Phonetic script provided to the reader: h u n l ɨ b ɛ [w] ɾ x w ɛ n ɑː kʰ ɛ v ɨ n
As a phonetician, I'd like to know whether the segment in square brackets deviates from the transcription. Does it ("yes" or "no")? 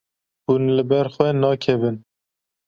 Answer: yes